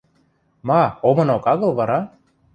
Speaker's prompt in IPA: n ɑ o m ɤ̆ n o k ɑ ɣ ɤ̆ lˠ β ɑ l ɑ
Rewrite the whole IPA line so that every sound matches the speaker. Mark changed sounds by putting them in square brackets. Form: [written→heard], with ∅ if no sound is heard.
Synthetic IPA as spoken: [n→m] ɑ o m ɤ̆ n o k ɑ ɣ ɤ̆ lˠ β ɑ [l→ɾ] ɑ